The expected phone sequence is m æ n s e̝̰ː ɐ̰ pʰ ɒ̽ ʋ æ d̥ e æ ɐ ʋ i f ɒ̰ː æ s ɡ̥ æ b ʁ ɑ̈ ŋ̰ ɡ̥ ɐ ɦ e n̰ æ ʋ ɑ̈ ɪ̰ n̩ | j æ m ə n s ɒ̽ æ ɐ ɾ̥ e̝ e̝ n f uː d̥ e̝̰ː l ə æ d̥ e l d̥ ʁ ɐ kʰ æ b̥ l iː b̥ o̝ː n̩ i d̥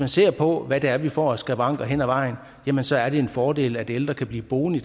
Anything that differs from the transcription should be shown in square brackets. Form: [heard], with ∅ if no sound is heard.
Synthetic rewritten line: m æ n s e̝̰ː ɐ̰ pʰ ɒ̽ ʋ æ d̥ e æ ɐ ʋ i f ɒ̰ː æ s ɡ̥ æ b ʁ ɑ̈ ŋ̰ ɡ̥ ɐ ɦ e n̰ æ ʋ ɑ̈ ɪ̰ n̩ | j æ m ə n s ɒ̽ æ ɐ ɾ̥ e̝ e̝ n f [ɒː] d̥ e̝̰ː l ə æ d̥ e l d̥ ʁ ɐ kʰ æ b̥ l iː b̥ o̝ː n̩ i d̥